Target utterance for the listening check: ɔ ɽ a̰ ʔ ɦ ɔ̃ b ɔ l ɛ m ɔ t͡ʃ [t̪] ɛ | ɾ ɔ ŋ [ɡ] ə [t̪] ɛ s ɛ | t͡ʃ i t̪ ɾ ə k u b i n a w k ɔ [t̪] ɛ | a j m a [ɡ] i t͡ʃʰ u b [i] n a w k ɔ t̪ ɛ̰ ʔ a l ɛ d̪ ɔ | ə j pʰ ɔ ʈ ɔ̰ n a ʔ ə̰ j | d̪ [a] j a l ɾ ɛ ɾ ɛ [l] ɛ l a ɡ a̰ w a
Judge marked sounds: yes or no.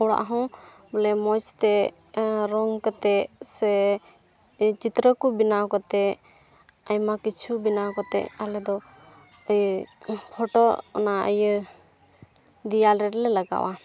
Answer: yes, no, yes, yes, no, yes, no, yes

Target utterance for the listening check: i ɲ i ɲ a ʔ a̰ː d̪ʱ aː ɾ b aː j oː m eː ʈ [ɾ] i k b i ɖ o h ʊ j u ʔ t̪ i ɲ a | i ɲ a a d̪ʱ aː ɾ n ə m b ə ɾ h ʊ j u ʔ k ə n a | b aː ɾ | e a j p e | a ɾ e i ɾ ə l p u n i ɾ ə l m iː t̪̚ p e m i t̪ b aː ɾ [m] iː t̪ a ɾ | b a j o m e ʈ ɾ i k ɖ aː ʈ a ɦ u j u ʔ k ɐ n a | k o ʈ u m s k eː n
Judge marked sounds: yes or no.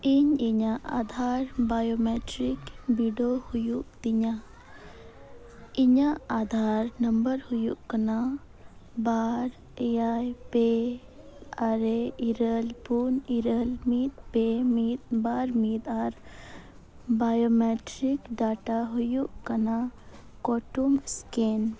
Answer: yes, yes

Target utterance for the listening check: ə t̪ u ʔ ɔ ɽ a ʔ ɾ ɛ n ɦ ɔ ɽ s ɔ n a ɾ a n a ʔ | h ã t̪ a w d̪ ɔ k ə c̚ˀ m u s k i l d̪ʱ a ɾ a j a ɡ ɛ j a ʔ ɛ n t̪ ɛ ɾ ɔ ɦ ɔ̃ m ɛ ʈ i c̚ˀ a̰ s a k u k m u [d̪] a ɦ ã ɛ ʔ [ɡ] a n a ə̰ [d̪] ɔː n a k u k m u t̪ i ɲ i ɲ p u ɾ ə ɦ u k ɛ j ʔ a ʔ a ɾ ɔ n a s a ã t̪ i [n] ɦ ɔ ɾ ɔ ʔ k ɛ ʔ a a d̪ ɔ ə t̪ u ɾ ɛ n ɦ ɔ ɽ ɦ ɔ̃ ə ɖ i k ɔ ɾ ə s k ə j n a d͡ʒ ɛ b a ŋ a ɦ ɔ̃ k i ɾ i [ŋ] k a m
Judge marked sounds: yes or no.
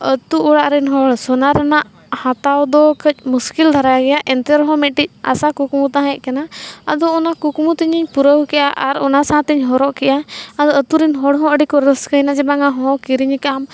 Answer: no, no, yes, no, no

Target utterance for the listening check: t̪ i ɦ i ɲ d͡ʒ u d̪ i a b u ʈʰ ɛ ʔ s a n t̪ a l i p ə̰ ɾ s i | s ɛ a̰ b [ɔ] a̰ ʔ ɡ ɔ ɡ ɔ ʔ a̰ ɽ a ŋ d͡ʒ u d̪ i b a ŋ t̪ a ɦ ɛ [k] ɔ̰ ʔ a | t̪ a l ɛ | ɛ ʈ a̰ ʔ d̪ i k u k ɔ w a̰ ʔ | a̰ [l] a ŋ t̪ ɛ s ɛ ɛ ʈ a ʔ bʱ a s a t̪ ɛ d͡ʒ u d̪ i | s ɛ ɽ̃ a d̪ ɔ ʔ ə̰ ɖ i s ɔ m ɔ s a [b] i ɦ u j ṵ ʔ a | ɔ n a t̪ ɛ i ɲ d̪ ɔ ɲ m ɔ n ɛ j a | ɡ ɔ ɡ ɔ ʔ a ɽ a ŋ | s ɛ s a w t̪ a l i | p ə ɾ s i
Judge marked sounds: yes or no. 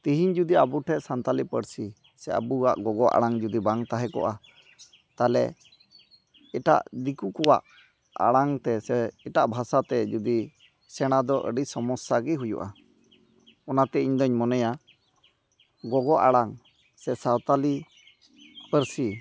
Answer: no, yes, no, no

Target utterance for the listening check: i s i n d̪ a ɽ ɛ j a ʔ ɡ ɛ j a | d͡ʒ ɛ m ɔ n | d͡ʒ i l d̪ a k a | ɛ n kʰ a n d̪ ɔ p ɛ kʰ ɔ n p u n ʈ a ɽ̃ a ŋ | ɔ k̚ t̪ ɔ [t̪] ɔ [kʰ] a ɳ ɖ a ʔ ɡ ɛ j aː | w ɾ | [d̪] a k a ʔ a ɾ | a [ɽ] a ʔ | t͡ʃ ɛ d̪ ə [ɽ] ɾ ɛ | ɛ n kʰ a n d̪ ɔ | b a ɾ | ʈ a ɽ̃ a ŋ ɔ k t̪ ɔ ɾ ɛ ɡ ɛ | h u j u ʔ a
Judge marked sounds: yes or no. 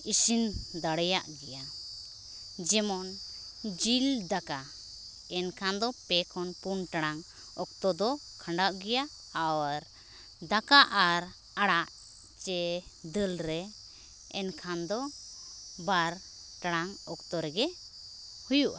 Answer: no, yes, yes, yes, no

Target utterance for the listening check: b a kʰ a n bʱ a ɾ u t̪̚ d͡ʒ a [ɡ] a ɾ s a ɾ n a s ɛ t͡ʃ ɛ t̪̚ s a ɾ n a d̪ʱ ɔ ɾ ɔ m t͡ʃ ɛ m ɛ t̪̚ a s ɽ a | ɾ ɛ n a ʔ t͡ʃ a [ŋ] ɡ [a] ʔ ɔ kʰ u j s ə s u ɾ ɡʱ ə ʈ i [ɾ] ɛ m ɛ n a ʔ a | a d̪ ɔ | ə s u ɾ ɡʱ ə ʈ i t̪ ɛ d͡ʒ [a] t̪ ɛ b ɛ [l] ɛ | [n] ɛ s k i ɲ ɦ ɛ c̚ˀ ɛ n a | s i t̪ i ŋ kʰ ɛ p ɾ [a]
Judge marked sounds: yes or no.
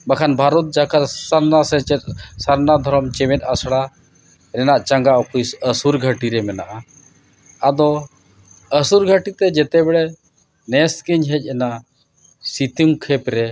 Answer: no, yes, yes, yes, no, no, yes, no

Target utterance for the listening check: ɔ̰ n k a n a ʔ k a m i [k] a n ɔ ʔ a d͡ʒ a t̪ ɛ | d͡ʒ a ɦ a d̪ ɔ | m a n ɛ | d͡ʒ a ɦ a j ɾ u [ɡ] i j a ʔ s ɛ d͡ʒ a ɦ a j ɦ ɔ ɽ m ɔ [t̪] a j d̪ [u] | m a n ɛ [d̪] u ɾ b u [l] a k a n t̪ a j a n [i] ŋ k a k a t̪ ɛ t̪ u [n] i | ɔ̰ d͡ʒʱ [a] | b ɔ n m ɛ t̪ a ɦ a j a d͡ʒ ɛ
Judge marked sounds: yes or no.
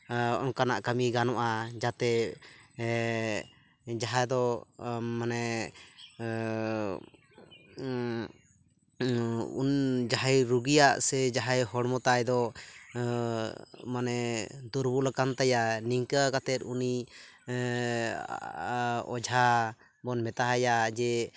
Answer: no, yes, yes, no, yes, yes, yes, yes, yes

